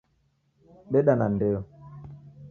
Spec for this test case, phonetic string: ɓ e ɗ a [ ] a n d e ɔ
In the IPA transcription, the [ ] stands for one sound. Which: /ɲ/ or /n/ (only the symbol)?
n